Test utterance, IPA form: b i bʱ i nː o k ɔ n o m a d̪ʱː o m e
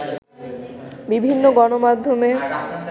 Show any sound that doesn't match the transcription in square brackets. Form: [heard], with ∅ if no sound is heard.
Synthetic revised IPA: b i bʱ i nː o [ɡ] ɔ n o m a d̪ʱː o m e

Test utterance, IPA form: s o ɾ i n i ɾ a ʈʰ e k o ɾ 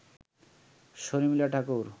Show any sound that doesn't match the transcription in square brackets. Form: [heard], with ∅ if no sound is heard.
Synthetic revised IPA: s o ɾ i [m] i [l] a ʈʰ [a] k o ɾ

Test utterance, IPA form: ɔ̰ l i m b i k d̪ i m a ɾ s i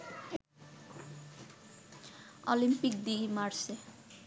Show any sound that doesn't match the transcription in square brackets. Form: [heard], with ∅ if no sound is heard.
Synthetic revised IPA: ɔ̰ l i m [p] i k d̪ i m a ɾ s [e]

